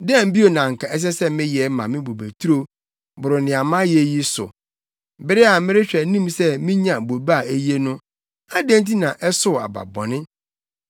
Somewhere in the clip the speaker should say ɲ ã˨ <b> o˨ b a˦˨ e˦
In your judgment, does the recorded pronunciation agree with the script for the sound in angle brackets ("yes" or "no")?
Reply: yes